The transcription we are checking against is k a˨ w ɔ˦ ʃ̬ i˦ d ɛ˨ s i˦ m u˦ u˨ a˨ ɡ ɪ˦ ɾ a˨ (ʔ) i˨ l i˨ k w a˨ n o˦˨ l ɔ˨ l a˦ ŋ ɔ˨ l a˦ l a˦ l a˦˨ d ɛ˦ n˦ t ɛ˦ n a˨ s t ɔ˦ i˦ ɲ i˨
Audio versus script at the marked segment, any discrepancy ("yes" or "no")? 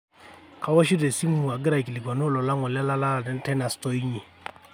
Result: yes